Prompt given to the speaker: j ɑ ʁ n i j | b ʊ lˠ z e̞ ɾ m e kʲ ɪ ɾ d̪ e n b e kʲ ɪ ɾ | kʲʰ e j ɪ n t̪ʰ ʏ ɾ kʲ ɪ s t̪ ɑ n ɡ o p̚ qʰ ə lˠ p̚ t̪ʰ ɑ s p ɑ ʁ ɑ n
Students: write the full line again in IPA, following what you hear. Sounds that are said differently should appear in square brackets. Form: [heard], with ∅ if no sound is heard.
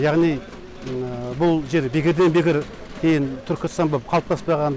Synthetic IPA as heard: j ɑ ʁ n i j | b ʊ lˠ [ʒ] e̞ ɾ [b] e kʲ ɪ ɾ d̪ e n b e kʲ ɪ ɾ | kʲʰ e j ɪ n t̪ʰ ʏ ɾ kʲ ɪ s t̪ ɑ n [b] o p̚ qʰ [ɑ] lˠ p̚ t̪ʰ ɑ s p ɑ ʁ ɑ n